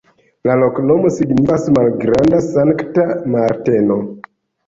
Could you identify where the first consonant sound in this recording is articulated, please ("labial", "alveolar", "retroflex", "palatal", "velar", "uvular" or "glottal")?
alveolar